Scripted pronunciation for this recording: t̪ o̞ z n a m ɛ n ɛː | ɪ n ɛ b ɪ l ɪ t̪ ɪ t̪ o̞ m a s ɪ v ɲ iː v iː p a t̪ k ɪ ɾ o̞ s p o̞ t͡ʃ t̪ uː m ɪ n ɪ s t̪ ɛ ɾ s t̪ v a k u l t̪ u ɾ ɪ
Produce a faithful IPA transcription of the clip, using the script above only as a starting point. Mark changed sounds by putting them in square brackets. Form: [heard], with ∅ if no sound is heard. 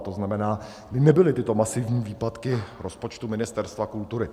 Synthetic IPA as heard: t̪ o̞ z n a m ɛ n [aː] | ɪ n ɛ b ɪ l ɪ t̪ ɪ t̪ o̞ m a s ɪ v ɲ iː v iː p a t̪ k ɪ ɾ o̞ s p o̞ t͡ʃ t̪ [u] m ɪ n ɪ s t̪ ɛ ɾ s t̪ v a k u l t̪ u ɾ ɪ